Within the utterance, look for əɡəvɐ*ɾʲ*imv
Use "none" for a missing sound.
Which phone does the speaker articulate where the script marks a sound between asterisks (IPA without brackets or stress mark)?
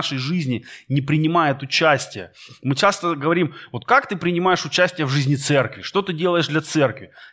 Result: ɾʲ